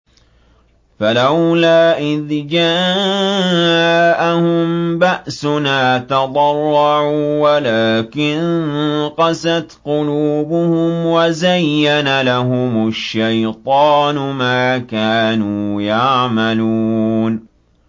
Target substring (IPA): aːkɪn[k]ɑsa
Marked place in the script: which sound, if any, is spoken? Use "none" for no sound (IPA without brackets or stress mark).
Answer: q